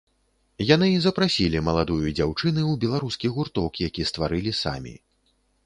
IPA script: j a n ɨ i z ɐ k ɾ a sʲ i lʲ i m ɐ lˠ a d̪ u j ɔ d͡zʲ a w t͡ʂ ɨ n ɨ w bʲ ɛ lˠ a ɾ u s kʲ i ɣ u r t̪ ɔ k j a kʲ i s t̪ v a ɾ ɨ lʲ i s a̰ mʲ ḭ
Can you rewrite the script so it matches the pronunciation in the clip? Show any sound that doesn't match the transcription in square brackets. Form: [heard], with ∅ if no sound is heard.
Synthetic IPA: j a n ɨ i z ɐ [p] ɾ a sʲ i lʲ i m ɐ lˠ a d̪ u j [u] d͡zʲ a w t͡ʂ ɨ n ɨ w bʲ ɛ lˠ a ɾ u s kʲ i ɣ u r t̪ ɔ k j a kʲ i s t̪ v a ɾ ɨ lʲ i s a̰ mʲ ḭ